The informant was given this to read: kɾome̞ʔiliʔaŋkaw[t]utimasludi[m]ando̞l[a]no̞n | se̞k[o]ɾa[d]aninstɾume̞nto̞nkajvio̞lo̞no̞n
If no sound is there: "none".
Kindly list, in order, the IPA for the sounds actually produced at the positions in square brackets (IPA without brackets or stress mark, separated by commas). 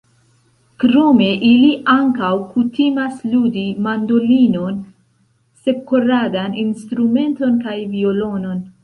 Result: k, m, i, o, d